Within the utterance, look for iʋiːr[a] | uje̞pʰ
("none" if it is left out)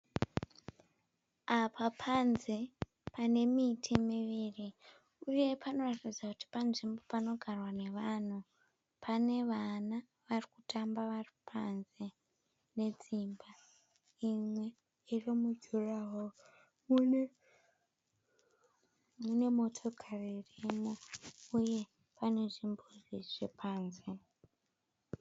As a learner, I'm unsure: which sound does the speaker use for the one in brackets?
i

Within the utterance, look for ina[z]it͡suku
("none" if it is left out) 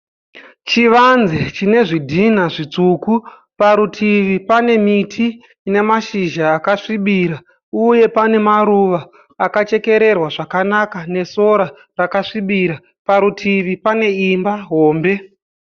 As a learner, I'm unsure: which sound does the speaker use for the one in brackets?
ʐ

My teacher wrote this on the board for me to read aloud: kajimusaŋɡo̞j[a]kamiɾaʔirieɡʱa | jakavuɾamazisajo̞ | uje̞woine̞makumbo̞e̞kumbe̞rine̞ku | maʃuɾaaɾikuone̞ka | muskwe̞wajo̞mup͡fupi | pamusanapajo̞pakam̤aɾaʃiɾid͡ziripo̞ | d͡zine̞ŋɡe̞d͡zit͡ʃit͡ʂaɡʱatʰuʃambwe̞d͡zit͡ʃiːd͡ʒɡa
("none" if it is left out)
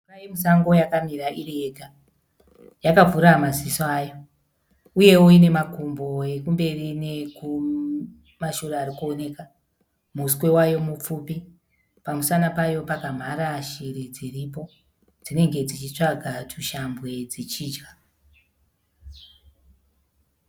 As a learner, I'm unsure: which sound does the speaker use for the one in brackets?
a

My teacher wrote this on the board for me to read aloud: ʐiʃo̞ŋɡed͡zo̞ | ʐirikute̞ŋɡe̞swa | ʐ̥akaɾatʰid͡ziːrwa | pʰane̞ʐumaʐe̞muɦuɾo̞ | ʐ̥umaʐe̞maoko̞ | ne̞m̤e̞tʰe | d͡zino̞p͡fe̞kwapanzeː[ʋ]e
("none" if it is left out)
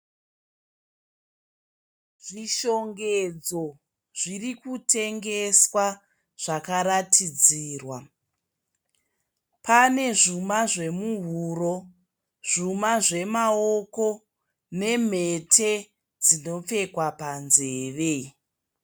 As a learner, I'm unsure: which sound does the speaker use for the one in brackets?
ʋ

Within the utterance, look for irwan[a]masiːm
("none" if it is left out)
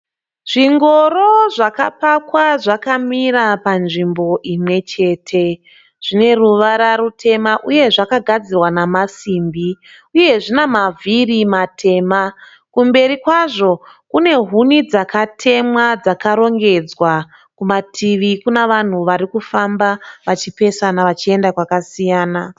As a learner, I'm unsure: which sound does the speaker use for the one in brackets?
a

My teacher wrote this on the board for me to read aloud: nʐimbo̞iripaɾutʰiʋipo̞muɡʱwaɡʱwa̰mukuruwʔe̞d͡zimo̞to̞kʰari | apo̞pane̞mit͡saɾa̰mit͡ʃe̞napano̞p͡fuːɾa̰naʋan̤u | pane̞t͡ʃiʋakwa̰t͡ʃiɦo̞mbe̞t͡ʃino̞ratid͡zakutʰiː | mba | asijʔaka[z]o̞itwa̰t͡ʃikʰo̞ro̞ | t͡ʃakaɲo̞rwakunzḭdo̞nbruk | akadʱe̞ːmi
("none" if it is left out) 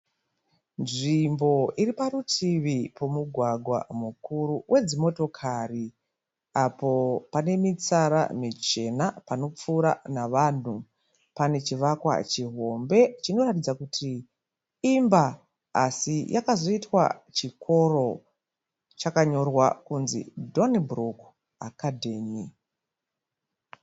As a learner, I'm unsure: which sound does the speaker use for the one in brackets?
z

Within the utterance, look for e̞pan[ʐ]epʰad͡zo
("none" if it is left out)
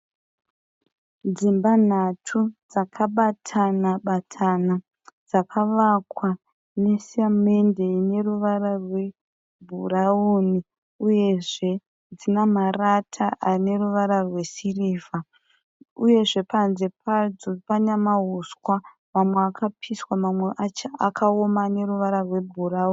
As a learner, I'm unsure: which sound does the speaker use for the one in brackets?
z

